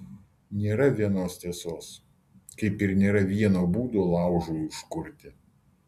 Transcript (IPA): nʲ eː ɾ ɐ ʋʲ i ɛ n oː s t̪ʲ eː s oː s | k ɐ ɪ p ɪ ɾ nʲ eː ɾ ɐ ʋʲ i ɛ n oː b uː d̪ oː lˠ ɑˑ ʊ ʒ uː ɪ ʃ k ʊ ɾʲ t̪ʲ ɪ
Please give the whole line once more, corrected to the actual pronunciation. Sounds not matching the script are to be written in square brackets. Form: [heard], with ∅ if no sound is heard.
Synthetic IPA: nʲ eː ɾ ɐ ʋʲ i ɛ n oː s t̪ʲ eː s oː s | k ɐ ɪ p ɪ ɾ nʲ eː ɾ ɐ ʋʲ i ɛ n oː b uː d̪ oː lˠ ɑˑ ʊ ʒ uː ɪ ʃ k ʊ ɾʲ t̪ʲ ɪ